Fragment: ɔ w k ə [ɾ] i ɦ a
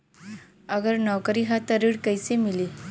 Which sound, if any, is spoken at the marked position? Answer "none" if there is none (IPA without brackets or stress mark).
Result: ɾ